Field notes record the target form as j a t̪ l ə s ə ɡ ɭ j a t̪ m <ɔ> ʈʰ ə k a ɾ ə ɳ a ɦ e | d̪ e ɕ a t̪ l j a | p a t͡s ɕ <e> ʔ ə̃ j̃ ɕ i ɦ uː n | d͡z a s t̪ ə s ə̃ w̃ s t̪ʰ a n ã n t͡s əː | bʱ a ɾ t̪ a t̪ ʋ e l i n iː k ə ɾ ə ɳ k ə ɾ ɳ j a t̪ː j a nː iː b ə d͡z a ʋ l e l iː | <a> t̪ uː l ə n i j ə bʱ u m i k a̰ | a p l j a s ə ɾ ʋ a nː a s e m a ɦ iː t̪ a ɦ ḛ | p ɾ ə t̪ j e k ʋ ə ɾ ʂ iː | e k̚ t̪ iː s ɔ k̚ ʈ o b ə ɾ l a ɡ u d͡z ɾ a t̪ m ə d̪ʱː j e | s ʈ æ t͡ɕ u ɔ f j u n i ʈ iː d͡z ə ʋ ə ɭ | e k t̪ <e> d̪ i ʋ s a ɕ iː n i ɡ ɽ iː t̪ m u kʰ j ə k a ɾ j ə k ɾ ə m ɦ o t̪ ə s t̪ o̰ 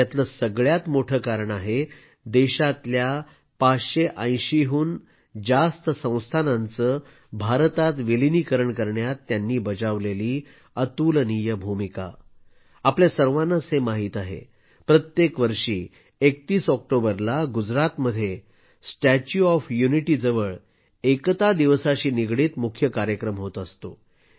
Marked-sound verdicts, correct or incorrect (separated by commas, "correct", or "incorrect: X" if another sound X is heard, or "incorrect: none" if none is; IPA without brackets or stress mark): incorrect: o, correct, incorrect: ə, incorrect: a